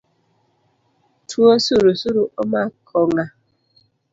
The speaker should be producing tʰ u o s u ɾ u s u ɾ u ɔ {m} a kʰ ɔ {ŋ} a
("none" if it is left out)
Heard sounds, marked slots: m, ŋ

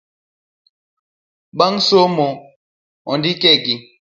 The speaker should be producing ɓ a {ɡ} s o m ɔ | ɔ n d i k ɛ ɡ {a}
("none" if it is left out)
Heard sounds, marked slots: ŋ, i

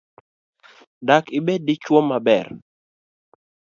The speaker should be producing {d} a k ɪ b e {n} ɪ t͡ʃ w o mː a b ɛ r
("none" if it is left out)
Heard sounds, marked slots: d, d

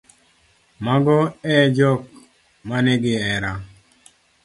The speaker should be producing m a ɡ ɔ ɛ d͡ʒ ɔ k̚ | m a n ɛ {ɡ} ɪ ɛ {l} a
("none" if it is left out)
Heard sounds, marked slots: ɡ, ɾ

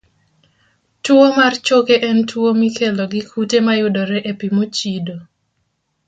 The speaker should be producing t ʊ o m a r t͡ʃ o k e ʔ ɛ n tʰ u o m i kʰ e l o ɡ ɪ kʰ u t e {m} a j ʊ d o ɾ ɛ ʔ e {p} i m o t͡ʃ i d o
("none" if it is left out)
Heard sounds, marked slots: m, p

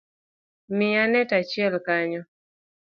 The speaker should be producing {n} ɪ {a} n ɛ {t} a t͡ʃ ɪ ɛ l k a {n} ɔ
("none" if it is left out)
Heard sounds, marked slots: m, a, t, ɲ

